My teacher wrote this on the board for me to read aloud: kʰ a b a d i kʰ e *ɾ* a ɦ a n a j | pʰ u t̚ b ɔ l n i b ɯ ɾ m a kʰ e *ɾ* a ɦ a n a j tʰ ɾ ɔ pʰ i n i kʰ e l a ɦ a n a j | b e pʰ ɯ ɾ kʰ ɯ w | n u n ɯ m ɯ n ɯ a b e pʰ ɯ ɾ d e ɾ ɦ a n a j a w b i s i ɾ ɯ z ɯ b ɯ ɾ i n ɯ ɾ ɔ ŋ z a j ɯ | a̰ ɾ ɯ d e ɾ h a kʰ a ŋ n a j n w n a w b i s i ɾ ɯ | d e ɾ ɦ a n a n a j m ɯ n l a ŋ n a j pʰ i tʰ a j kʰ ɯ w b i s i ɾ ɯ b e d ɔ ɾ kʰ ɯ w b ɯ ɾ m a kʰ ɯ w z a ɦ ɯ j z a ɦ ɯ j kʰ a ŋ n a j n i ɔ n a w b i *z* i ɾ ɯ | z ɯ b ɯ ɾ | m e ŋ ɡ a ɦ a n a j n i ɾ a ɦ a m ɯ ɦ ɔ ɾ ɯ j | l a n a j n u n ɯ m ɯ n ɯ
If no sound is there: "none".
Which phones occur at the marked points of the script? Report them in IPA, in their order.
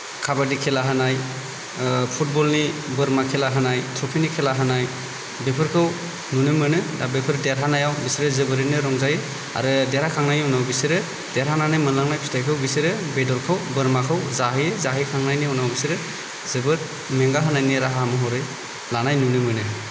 l, l, s

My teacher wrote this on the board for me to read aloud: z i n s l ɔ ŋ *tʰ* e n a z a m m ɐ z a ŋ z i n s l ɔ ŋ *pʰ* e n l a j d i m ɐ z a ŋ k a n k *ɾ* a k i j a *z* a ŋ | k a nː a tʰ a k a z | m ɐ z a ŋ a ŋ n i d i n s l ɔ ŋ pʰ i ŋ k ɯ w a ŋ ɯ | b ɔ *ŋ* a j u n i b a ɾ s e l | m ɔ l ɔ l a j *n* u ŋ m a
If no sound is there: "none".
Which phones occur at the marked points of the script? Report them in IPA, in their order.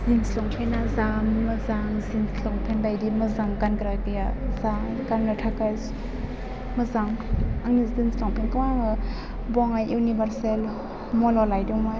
pʰ, pʰ, ɾ, z, ŋ, d

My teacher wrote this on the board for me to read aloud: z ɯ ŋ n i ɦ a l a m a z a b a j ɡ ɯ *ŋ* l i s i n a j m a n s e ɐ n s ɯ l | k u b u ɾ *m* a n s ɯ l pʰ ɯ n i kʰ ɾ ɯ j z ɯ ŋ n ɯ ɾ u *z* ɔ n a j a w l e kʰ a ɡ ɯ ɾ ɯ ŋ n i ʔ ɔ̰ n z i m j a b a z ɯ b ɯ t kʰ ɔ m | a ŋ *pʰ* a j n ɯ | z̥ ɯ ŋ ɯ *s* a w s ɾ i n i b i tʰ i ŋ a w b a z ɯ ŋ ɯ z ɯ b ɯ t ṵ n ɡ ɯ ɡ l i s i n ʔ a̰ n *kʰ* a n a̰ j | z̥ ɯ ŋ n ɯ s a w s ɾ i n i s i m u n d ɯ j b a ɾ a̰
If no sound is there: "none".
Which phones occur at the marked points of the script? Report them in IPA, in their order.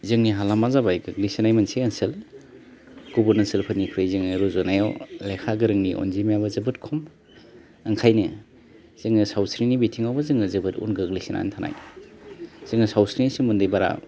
ɡ, n, z, kʰ, s, tʰ

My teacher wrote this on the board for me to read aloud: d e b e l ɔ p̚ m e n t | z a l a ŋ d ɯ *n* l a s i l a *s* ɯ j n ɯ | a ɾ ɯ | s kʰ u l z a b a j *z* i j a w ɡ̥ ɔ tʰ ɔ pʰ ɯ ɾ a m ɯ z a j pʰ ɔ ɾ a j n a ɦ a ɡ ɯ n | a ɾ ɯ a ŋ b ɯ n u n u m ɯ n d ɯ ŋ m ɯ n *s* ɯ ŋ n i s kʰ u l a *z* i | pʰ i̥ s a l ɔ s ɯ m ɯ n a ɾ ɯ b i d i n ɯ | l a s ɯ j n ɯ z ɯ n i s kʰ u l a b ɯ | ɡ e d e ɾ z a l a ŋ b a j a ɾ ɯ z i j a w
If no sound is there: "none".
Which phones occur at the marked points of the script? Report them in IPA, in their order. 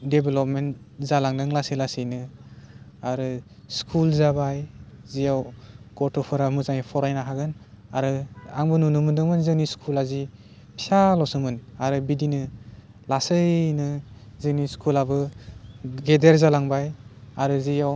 ŋ, s, z, z, z

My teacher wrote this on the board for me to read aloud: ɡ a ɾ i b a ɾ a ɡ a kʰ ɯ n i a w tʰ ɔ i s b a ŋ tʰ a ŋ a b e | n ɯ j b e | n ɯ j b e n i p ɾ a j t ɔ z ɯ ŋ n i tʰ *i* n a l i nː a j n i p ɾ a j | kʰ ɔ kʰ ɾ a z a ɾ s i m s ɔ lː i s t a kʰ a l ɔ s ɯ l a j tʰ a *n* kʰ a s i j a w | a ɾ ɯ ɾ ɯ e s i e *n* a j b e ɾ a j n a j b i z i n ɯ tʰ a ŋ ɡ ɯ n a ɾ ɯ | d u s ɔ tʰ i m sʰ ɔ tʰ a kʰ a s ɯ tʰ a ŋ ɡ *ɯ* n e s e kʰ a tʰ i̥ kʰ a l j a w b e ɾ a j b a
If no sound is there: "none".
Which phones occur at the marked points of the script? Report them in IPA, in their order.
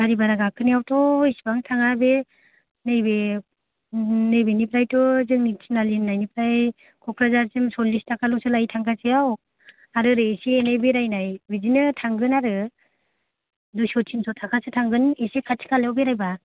i, ŋ, n, ɯ

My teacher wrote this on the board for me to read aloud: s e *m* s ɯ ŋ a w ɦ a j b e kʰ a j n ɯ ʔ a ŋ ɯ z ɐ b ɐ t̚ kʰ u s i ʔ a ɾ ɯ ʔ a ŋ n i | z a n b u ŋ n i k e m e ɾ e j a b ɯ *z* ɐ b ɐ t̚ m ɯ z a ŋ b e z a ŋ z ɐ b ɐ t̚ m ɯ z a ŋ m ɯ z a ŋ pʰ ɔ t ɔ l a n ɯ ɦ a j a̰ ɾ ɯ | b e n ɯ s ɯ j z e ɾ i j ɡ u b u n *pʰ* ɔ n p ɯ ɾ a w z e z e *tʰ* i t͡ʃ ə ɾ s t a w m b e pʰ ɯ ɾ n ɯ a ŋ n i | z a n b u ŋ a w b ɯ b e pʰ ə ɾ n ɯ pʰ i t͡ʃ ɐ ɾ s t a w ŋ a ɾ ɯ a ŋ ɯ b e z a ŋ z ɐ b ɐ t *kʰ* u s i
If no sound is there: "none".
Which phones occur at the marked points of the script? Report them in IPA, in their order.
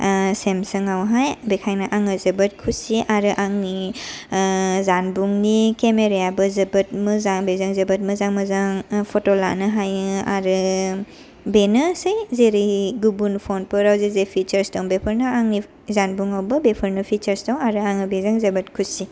m, z, pʰ, pʰ, kʰ

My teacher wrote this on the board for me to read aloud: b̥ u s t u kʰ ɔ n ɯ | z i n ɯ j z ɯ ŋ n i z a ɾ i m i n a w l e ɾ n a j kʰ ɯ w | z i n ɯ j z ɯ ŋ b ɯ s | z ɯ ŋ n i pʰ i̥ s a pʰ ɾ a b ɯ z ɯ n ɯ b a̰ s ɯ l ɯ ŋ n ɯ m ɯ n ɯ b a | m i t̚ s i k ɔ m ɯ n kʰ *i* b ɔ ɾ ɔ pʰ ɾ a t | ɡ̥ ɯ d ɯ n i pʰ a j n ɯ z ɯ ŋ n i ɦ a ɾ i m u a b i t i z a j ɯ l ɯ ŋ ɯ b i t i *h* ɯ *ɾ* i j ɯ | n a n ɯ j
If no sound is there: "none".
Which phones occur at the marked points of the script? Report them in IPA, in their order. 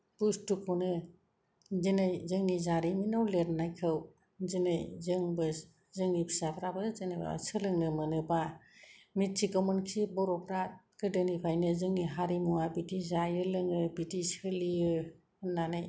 i, s, l

